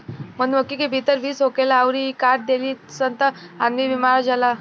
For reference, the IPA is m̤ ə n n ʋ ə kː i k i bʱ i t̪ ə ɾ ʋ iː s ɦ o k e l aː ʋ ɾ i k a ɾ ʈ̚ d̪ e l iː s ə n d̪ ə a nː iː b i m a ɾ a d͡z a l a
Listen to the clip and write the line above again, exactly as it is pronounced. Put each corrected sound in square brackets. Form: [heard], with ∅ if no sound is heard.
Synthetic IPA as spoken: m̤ ə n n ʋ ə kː i k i bʱ i t̪ ə ɾ ʋ iː s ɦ o k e l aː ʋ ɾ i k a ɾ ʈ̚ d̪ e l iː s ə n [t̪] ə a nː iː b i m a ɾ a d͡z a l a